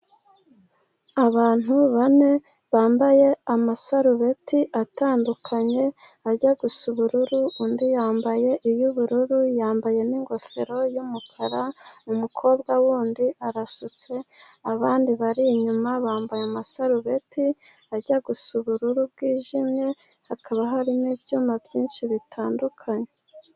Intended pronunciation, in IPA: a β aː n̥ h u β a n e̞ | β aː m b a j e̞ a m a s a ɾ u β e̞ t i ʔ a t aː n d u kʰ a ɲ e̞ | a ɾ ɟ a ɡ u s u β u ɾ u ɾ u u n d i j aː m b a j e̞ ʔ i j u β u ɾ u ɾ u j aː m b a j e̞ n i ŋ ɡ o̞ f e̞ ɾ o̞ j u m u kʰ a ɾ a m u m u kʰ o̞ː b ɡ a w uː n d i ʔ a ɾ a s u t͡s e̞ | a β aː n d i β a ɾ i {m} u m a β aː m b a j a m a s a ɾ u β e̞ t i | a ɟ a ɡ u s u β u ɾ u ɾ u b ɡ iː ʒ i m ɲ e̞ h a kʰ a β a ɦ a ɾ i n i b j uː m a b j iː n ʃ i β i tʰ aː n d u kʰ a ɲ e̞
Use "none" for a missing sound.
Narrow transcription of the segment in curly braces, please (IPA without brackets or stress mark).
ɲ